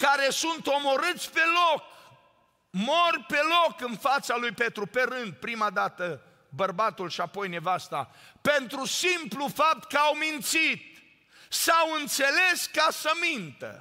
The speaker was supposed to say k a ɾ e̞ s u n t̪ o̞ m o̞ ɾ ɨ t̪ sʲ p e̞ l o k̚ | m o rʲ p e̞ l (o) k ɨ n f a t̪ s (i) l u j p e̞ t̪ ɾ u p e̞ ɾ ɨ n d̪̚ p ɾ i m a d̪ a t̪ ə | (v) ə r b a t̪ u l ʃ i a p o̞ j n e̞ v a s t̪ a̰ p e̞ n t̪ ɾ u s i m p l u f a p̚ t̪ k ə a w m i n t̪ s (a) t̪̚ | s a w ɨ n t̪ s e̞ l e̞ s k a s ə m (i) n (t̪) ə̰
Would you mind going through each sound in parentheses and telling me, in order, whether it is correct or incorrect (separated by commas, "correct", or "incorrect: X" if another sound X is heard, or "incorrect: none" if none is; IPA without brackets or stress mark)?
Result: correct, incorrect: a, incorrect: b, incorrect: i, correct, correct